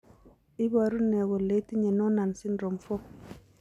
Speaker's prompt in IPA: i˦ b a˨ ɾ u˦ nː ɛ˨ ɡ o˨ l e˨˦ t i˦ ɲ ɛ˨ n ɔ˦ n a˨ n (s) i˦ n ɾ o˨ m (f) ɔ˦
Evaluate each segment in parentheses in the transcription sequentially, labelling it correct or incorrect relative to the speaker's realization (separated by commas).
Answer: correct, correct